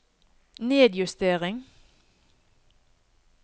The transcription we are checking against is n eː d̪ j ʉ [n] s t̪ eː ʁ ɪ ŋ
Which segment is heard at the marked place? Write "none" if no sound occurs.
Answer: none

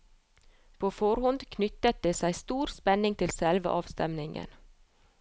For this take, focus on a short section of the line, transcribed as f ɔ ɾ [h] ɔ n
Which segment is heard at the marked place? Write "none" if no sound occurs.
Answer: h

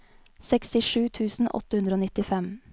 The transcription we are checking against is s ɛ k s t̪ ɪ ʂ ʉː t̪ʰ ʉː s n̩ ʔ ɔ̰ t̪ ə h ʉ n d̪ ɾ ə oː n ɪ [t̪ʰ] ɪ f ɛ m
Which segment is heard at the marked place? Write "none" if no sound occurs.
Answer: t̪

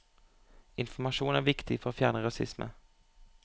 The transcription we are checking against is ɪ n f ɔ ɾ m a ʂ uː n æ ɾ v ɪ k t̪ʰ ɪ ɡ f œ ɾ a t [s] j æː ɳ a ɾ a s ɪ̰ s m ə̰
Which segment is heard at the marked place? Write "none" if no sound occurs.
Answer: f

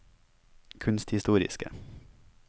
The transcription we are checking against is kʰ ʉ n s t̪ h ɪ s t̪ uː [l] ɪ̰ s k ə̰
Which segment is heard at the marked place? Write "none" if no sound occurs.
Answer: ɾ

